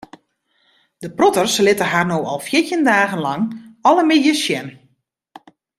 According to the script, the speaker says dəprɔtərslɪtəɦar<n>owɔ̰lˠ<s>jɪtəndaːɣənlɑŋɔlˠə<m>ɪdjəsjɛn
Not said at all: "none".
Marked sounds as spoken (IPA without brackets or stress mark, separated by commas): n, f, m